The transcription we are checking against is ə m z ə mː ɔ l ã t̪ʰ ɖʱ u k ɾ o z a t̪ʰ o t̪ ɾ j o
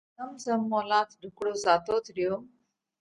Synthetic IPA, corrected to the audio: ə m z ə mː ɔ l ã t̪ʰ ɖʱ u k ɽ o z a t̪ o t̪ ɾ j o